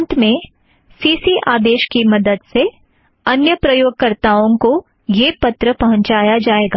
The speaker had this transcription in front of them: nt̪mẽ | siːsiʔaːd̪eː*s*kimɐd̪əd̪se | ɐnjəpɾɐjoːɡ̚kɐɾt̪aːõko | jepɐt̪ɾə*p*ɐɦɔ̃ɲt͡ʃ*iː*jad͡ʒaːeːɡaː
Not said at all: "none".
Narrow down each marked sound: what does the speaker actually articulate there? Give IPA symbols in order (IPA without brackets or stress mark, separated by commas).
ʃ, p, aː